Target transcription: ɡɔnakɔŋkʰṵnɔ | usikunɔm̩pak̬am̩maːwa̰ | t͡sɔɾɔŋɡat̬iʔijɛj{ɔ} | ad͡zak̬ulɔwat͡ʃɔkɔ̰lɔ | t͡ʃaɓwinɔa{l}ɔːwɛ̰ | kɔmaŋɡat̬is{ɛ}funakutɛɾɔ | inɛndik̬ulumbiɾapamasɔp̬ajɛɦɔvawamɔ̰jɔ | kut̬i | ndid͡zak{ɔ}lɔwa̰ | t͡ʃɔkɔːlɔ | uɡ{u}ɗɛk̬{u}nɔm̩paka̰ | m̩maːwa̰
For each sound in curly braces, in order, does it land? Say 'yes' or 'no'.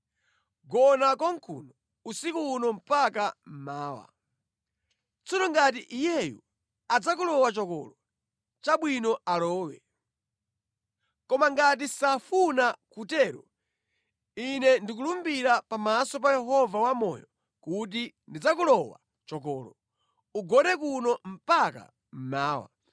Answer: no, yes, no, no, no, yes

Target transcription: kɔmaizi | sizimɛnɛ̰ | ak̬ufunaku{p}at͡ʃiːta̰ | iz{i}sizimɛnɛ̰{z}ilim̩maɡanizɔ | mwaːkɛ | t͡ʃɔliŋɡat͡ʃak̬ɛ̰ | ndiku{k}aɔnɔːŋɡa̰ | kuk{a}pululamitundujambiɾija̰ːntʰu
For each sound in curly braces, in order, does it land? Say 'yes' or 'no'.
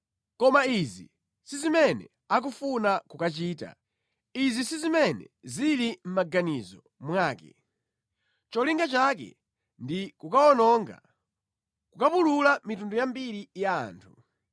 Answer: no, yes, yes, yes, yes

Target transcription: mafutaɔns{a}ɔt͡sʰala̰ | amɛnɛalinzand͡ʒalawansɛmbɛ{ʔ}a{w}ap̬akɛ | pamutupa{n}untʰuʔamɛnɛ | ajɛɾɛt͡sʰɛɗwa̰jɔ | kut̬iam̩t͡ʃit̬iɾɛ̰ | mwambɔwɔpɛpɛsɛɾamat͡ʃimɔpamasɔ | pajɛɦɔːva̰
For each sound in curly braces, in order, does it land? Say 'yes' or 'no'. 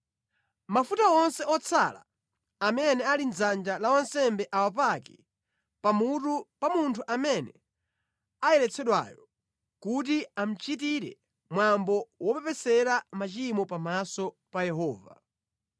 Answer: no, yes, yes, no

